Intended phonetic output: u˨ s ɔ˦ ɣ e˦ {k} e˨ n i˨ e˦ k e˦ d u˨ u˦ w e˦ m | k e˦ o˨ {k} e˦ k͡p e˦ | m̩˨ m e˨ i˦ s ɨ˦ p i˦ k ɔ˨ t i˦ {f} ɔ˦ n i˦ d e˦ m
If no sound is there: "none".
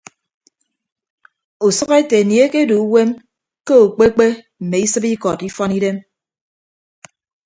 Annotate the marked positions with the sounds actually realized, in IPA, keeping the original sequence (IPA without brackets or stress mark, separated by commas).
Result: t, k͡p, f